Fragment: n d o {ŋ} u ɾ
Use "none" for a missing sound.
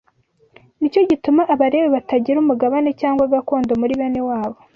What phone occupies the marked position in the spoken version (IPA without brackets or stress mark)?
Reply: m